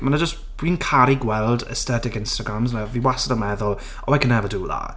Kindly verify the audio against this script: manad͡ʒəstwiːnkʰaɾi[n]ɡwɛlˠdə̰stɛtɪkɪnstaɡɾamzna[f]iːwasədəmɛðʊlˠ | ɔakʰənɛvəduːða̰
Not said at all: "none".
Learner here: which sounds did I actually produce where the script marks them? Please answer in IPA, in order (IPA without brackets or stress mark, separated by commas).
none, v